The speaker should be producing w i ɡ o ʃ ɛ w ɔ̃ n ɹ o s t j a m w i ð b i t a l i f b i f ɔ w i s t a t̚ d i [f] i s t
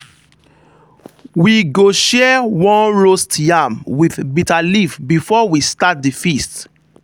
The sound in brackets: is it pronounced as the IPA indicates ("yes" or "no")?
yes